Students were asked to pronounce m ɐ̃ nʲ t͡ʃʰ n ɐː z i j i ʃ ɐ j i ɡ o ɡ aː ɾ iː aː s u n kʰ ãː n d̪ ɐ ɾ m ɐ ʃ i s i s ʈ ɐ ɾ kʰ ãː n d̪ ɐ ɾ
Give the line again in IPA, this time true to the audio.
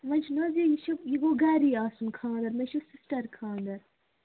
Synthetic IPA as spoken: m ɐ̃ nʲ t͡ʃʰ n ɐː z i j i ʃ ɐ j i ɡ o ɡ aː ɾ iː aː s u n kʰ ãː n d̪ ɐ ɾ m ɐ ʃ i s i s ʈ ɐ ɾ kʰ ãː n d̪ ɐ ɾ